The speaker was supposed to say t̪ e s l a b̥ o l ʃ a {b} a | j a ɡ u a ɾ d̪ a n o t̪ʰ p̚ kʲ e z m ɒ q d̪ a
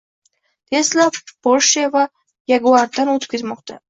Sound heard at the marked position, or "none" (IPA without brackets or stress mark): v